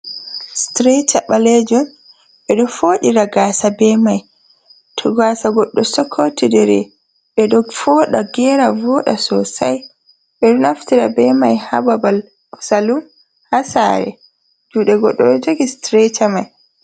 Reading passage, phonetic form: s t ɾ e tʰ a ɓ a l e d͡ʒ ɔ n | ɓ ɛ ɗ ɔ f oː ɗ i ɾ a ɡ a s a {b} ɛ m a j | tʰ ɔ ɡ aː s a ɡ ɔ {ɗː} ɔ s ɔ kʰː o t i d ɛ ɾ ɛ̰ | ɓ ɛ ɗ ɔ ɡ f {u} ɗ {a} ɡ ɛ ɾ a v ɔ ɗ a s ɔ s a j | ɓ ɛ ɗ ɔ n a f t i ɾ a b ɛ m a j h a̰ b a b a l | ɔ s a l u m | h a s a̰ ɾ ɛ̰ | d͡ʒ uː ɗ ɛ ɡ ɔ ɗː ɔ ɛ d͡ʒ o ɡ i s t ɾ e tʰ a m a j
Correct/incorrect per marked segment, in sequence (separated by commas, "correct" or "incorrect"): correct, correct, incorrect, correct